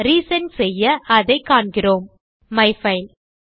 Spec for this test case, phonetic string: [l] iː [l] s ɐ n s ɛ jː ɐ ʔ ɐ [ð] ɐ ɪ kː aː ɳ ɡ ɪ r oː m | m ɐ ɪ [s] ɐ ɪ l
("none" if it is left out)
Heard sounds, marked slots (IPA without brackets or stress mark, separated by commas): ɾ, none, ð, f